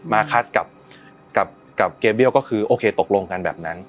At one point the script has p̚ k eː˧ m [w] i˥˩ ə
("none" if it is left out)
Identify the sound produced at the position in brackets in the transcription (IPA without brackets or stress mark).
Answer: b